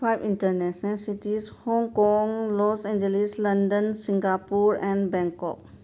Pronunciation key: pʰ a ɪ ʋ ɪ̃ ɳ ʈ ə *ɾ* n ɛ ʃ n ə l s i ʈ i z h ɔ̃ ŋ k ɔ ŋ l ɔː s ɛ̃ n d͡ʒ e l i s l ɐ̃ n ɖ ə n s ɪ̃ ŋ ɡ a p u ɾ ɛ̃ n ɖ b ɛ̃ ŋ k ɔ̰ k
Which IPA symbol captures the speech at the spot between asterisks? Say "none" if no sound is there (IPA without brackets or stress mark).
ɾ